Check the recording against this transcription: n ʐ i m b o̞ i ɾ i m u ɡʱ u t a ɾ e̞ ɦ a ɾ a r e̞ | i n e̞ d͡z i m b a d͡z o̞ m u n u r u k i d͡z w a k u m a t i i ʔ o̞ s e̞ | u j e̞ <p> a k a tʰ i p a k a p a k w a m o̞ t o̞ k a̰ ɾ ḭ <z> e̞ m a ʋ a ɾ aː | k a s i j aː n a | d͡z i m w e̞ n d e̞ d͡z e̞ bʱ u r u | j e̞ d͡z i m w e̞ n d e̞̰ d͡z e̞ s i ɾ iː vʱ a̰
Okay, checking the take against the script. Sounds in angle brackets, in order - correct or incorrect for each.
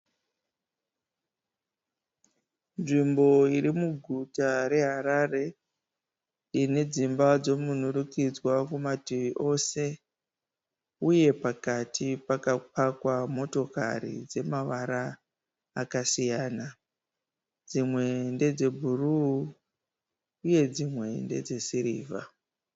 correct, incorrect

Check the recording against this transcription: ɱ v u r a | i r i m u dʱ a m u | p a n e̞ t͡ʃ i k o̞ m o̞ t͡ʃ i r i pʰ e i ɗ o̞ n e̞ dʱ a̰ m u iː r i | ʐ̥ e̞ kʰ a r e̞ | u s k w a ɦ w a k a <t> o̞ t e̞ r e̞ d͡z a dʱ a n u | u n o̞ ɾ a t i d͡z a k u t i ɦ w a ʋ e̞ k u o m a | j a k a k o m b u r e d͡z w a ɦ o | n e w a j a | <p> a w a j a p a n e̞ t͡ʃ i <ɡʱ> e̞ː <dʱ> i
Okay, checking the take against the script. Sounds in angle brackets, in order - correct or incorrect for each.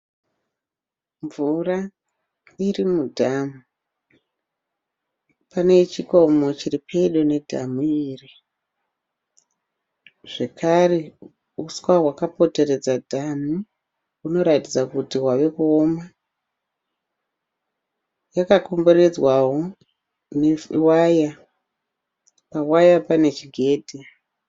incorrect, correct, correct, correct

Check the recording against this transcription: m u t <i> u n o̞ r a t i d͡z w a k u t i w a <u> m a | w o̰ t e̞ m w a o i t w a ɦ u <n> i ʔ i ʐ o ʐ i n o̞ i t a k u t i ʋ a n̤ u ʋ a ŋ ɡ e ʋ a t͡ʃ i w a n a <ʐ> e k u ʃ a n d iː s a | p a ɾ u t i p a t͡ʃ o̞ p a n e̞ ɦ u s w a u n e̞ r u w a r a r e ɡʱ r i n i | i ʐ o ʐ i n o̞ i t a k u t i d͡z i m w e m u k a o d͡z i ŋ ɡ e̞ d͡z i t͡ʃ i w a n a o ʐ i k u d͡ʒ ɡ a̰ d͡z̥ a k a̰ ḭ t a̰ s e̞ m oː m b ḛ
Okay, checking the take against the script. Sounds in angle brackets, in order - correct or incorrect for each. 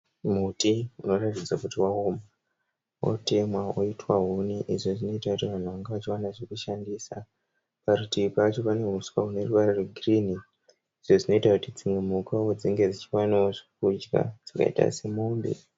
correct, incorrect, correct, correct

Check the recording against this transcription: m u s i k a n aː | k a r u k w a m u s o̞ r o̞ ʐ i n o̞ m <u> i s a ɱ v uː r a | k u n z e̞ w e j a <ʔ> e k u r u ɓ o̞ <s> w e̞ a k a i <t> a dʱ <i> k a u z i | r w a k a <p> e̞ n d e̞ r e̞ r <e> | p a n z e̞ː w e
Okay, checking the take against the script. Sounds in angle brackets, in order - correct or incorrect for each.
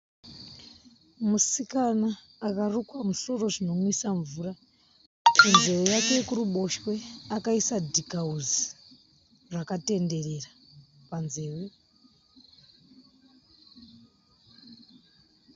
incorrect, incorrect, incorrect, incorrect, correct, incorrect, incorrect

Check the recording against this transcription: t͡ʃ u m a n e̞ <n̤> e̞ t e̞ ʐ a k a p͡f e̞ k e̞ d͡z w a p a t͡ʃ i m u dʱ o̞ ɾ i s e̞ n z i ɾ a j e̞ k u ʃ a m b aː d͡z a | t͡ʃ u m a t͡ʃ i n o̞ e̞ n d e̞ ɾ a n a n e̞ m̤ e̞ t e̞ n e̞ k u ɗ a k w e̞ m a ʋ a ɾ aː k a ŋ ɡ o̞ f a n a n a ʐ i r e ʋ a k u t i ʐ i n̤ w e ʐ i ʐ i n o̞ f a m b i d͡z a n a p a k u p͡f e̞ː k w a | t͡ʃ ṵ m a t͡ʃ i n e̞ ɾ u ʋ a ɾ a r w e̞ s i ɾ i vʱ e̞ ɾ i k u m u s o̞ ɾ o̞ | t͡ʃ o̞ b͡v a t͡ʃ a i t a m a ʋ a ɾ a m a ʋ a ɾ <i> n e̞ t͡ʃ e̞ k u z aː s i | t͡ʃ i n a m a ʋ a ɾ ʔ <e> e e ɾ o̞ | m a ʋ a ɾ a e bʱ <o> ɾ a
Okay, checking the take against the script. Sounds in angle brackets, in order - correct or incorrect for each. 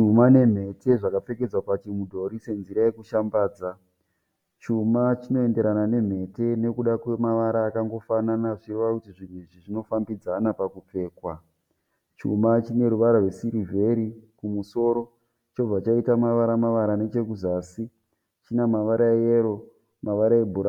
incorrect, incorrect, incorrect, incorrect

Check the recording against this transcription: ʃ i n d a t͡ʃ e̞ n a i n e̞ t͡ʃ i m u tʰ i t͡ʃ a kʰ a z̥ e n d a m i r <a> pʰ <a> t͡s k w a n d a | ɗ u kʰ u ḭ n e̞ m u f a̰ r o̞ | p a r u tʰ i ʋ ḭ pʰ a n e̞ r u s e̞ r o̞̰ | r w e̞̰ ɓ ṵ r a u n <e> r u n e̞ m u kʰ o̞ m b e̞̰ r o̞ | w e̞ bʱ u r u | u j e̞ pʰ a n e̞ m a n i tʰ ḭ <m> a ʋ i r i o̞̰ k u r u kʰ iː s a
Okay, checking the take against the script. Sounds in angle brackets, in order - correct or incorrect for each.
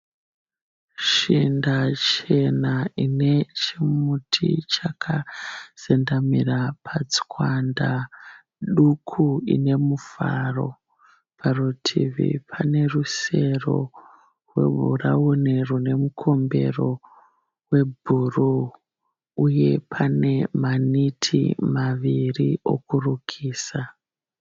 correct, correct, correct, correct

